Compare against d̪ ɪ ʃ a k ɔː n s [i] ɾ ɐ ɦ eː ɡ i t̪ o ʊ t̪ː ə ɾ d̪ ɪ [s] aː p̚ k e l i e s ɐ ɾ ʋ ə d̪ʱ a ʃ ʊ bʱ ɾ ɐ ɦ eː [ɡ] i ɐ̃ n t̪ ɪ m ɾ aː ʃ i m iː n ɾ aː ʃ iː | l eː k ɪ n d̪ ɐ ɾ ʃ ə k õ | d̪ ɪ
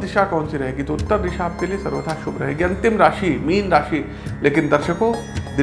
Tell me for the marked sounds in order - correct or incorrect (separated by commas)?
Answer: correct, incorrect, correct